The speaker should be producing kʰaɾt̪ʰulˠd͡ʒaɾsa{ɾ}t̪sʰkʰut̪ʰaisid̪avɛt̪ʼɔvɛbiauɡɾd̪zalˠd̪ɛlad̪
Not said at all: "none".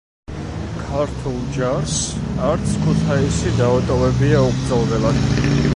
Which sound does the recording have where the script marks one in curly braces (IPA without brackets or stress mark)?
ɾ